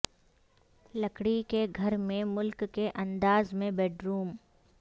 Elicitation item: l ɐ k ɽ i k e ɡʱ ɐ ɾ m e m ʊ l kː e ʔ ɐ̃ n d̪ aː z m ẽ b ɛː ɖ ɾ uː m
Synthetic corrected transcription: l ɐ k ɽ i k e ɡʱ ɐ ɾ m ẽ m ʊ l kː e ʔ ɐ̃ n d̪ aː z m ẽ b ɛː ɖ ɾ uː m